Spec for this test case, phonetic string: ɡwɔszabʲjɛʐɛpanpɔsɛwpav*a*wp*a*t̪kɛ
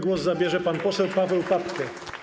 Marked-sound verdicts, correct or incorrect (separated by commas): incorrect, correct